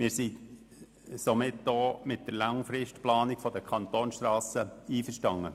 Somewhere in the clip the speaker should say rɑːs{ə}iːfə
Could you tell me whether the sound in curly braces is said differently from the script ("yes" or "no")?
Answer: no